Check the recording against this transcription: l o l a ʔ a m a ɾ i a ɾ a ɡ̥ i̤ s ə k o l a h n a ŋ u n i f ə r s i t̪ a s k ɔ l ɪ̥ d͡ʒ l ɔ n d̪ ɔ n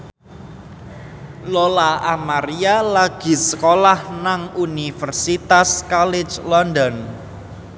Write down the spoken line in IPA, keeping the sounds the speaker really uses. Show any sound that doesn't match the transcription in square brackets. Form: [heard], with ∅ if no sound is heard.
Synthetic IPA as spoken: l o l a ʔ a m a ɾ i a [l] a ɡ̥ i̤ s ə k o l a h n a ŋ u n i f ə r s i t̪ a s k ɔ l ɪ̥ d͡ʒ l ɔ n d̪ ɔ n

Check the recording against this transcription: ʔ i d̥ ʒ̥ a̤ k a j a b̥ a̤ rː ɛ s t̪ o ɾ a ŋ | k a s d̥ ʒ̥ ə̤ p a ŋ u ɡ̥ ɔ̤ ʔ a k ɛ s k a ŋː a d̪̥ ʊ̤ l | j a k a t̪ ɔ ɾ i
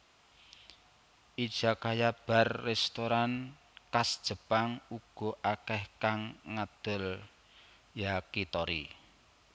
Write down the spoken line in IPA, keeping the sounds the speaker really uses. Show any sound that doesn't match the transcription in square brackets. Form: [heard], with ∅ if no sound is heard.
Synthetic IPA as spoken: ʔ i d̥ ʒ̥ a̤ k a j a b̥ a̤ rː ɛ s t̪ o ɾ a [n] | k a s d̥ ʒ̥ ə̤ p a ŋ u ɡ̥ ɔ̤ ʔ a k ɛ [h] k a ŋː a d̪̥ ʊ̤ l | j a k [i] t̪ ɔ ɾ i

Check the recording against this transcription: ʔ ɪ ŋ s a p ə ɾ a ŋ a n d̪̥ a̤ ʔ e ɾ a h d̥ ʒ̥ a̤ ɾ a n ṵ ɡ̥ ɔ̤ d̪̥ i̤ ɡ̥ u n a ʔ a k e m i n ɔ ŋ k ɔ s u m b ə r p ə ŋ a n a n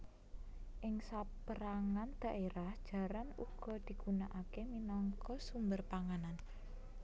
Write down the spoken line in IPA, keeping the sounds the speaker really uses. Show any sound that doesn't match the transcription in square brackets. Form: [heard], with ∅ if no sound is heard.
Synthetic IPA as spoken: ʔ ɪ ŋ s a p ə ɾ a ŋ a n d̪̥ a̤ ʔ e ɾ a h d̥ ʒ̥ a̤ ɾ a n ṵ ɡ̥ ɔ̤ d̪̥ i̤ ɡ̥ u n a ʔ a k e m i n ɔ ŋ k ɔ s u m b ə r p [a] ŋ a n a n

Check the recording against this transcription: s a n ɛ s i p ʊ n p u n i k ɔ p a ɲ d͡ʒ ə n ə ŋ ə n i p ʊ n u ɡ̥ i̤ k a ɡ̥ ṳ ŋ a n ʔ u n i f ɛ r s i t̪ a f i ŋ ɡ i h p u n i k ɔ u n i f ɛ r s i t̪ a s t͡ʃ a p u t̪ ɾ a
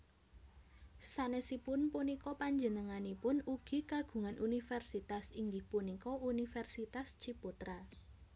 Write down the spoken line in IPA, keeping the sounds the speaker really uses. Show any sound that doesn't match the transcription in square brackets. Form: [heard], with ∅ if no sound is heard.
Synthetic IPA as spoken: s a n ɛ s i p ʊ n p u n i k ɔ p a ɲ d͡ʒ ə n ə ŋ [a] n i p ʊ n u ɡ̥ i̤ k a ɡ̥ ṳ ŋ a n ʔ u n i f ɛ r s i t̪ a [s] i ŋ ɡ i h p u n i k ɔ u n i f ɛ r s i t̪ a s t͡ʃ [i] p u t̪ ɾ a

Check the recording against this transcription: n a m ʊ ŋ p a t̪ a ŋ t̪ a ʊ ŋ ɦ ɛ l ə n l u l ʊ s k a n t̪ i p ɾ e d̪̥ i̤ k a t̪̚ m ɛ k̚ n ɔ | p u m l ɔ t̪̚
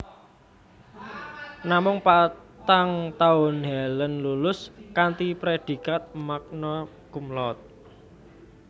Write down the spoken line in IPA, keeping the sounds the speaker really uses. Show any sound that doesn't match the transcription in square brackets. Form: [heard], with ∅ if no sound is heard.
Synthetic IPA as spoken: n a m ʊ ŋ p a t̪ a ŋ t̪ a ʊ [n] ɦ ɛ l ə n l u l ʊ s k a n t̪ i p ɾ e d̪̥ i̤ k a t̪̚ m [a] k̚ n ɔ | [k] u m l ɔ t̪̚

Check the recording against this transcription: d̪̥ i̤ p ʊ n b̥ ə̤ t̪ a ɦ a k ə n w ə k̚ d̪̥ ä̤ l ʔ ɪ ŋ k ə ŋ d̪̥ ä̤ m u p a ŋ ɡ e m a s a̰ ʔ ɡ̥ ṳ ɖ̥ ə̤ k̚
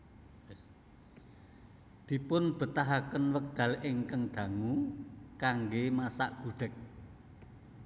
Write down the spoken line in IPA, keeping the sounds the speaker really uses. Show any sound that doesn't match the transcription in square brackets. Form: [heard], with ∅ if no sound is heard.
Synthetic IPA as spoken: d̪̥ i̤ p ʊ n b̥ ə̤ t̪ a ɦ a k ə n w ə k̚ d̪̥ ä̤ l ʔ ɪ ŋ k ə ŋ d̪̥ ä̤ [ŋ] u [k] a ŋ ɡ e m a s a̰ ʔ ɡ̥ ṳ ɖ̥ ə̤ k̚

